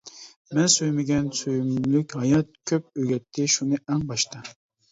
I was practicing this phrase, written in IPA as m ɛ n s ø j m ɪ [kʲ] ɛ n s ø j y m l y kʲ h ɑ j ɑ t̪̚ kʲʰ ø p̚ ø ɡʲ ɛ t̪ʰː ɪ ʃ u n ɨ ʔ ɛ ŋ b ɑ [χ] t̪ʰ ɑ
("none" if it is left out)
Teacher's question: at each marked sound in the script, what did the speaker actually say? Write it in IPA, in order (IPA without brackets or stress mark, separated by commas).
ɡʲ, ʃ